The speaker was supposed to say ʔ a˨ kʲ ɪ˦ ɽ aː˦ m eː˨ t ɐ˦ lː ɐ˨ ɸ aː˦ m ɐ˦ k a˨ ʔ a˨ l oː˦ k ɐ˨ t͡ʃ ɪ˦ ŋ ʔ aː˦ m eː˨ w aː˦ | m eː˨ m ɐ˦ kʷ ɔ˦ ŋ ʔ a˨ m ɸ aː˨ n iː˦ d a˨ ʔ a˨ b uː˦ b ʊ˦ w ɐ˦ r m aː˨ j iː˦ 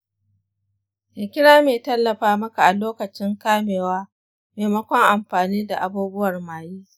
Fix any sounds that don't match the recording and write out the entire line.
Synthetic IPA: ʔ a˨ kʲ ɪ˦ ɽ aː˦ m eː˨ t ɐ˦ lː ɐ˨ ɸ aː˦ m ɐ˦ k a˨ ʔ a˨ l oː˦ k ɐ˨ t͡ʃ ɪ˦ ŋ k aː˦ m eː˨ w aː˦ | m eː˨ m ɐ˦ kʷ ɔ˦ ŋ ʔ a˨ m ɸ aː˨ n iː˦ d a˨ ʔ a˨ b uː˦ b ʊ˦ w ɐ˨ r m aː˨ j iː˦

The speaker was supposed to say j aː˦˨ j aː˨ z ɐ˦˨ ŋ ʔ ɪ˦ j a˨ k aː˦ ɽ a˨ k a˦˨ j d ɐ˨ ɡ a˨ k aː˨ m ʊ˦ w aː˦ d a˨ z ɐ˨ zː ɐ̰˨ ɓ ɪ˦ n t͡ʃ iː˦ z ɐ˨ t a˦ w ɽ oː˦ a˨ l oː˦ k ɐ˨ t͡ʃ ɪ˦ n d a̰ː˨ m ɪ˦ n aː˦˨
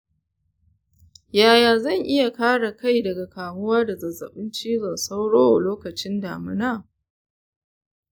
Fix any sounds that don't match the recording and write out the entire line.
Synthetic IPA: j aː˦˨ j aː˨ z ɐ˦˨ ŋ ʔ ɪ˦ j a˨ k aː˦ ɽ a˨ k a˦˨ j d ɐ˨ ɡ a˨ k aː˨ m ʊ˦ w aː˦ d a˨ z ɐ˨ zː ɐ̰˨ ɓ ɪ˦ n t͡ʃ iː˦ z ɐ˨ s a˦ w ɽ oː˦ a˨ l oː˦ k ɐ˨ t͡ʃ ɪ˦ n d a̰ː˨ m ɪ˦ n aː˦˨

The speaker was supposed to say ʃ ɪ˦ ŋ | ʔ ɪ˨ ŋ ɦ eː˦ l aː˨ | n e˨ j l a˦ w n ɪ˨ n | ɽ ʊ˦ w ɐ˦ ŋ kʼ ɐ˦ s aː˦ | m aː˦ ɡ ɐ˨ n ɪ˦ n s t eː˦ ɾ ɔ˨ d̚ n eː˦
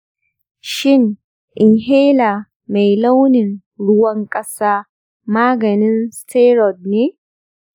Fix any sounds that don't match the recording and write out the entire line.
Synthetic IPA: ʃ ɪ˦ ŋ | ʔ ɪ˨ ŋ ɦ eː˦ l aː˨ | m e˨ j l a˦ w n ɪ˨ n | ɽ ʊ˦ w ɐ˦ ŋ kʼ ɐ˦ s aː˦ | m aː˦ ɡ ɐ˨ n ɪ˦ n s t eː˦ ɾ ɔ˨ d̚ n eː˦

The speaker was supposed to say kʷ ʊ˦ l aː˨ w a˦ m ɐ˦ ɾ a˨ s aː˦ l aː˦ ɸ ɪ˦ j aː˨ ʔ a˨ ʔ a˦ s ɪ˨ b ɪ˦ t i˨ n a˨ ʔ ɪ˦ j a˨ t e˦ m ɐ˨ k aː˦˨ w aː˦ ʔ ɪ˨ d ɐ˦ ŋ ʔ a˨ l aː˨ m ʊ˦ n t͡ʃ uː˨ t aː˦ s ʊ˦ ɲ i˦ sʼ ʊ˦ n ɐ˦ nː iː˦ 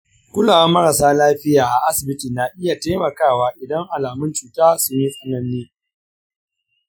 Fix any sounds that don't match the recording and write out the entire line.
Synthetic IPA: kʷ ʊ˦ l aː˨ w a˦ m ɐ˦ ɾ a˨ s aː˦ l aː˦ ɸ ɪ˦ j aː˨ ʔ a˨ ʔ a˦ s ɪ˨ b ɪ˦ t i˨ n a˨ ʔ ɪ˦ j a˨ t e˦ m ɐ˨ k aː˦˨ w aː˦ ʔ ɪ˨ d ɐ˦ ŋ ʔ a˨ l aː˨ m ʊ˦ n t͡ʃ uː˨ t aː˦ s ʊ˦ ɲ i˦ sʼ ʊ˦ n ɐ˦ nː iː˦

